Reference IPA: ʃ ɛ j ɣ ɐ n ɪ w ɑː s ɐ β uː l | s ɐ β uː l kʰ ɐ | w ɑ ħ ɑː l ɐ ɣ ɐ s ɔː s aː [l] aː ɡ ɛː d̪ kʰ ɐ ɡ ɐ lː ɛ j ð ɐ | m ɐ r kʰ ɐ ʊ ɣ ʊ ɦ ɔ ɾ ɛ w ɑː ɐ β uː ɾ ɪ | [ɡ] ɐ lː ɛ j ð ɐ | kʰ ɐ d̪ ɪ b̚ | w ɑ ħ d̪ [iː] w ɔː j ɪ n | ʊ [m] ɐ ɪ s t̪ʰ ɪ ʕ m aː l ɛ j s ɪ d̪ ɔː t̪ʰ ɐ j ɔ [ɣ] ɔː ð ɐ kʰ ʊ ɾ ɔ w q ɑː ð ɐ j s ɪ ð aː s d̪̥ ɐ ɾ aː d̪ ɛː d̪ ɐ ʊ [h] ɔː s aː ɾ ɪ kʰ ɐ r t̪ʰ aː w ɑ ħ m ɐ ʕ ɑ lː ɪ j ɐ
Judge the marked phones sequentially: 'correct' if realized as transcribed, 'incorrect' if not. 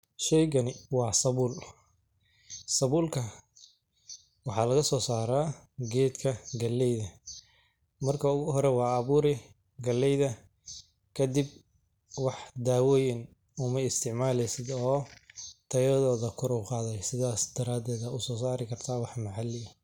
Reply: incorrect, correct, incorrect, correct, incorrect, incorrect

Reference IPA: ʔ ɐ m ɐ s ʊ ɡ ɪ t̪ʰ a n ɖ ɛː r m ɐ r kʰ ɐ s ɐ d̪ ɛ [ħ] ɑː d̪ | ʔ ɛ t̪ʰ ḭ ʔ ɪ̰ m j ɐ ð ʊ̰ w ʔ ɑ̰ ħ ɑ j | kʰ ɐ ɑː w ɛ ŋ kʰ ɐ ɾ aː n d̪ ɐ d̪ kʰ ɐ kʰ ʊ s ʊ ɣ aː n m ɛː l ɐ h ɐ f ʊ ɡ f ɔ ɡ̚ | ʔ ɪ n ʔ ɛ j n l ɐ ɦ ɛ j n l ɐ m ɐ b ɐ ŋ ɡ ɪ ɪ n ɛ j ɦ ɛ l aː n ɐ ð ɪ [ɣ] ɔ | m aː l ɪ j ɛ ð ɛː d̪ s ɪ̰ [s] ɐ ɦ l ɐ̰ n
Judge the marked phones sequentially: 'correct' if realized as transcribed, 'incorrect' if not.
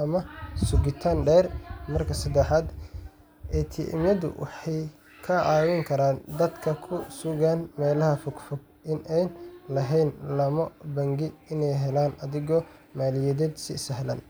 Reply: correct, correct, correct

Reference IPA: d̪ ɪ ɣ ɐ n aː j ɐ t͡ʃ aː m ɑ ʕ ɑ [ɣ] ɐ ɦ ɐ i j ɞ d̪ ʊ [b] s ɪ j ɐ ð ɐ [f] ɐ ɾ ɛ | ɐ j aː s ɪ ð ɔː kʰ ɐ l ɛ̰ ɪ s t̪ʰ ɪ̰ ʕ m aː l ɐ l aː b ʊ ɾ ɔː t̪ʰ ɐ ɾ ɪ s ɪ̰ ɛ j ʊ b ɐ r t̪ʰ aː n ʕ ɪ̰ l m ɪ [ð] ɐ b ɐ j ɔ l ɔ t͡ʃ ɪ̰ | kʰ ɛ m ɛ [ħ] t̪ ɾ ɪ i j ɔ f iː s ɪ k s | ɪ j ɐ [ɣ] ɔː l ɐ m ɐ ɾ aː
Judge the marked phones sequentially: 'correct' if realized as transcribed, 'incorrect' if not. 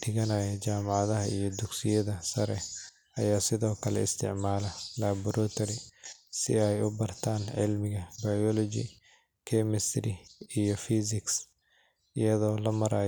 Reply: incorrect, incorrect, incorrect, incorrect, incorrect, incorrect

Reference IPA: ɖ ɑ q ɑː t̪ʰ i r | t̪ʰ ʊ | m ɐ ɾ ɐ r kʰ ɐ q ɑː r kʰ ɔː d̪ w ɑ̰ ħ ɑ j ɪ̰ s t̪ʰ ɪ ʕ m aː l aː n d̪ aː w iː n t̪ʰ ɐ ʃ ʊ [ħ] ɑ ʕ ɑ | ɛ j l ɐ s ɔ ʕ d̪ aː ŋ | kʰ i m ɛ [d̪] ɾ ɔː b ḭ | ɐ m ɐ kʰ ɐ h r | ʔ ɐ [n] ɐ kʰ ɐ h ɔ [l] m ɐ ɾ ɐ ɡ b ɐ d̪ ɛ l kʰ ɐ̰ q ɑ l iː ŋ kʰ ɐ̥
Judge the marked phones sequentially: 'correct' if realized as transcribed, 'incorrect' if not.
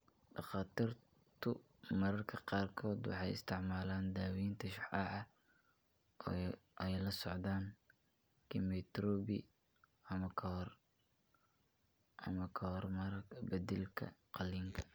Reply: correct, incorrect, incorrect, incorrect

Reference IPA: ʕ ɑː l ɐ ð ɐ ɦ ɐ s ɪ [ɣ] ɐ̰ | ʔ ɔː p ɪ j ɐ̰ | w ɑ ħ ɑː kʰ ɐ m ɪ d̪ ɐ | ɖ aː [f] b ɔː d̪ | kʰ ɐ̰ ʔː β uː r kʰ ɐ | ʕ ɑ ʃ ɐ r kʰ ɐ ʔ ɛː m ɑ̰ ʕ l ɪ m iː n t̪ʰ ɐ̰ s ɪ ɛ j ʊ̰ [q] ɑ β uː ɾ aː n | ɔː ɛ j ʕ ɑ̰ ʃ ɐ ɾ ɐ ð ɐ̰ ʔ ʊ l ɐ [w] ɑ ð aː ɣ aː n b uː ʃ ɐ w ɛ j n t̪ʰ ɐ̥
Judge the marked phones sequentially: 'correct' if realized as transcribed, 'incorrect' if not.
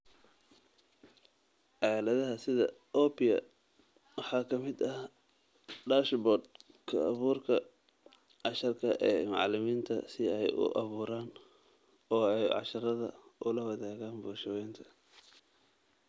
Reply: incorrect, incorrect, incorrect, correct

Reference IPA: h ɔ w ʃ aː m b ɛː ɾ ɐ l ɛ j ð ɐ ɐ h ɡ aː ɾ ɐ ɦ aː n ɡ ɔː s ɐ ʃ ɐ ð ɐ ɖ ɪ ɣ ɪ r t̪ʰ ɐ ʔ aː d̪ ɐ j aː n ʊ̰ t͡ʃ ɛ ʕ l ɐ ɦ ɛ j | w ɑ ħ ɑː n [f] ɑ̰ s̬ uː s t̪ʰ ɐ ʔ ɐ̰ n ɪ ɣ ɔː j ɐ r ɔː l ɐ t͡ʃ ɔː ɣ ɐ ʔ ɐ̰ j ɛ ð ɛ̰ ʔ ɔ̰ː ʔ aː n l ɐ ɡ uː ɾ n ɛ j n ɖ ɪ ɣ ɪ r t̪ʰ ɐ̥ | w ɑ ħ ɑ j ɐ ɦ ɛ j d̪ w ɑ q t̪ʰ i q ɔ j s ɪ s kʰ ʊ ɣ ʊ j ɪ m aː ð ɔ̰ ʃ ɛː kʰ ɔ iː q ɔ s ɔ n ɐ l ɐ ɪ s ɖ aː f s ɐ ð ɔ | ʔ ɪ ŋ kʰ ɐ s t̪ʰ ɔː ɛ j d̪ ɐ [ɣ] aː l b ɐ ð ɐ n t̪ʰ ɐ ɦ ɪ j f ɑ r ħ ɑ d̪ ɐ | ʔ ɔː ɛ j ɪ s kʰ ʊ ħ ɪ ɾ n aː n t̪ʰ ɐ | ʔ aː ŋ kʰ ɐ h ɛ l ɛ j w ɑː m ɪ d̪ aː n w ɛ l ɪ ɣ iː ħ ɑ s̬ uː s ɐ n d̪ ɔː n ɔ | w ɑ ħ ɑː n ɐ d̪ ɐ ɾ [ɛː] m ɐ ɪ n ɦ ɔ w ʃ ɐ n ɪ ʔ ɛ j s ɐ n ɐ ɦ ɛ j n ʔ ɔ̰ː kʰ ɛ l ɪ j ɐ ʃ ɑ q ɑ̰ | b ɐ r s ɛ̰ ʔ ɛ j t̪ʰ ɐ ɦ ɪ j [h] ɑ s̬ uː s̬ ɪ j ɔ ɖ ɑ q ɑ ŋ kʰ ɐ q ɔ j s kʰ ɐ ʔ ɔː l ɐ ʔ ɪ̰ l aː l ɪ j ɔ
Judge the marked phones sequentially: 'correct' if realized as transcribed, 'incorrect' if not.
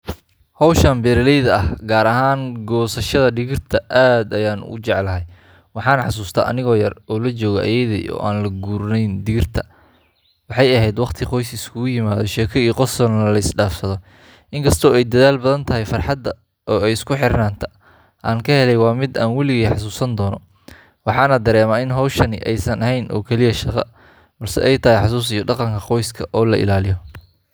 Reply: incorrect, incorrect, correct, incorrect

